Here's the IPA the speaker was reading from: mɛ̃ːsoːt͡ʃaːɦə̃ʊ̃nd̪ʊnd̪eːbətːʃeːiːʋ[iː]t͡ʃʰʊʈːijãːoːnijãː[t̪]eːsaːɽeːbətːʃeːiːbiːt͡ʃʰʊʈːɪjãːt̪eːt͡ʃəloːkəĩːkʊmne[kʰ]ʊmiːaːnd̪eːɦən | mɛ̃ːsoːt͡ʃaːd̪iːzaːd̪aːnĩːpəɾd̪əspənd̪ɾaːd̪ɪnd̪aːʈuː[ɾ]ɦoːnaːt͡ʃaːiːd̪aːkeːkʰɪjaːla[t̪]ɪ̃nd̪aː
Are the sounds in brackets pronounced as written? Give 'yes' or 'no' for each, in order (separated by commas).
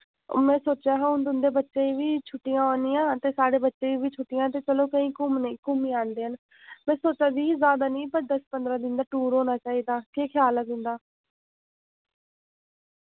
yes, yes, no, yes, no